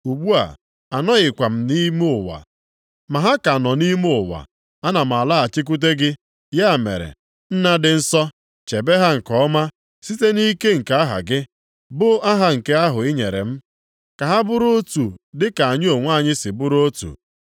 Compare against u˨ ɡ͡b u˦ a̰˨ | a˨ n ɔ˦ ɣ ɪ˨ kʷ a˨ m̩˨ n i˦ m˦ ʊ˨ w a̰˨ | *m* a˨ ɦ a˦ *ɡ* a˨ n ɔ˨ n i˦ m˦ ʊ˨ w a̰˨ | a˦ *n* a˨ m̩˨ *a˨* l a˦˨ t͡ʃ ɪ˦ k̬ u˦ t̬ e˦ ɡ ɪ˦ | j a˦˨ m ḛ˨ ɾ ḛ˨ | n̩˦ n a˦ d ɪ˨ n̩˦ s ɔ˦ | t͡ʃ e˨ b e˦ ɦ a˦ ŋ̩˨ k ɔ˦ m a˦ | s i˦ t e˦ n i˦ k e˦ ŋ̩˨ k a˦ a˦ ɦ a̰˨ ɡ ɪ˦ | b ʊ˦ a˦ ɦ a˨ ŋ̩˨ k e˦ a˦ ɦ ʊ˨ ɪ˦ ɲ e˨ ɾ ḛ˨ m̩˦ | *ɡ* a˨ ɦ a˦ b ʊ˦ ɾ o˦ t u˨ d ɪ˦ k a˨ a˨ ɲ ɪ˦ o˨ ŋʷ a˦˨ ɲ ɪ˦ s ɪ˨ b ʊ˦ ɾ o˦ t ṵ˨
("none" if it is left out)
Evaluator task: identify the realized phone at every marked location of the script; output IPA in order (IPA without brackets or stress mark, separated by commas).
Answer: m, k, n, a˨, k